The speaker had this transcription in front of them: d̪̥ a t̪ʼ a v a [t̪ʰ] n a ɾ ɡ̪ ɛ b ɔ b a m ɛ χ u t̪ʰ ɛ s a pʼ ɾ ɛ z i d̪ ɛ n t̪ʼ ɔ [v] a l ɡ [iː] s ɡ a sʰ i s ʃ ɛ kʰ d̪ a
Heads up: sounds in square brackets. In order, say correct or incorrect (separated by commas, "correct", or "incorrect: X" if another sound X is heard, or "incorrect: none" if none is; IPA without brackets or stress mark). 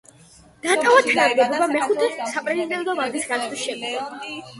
correct, correct, incorrect: i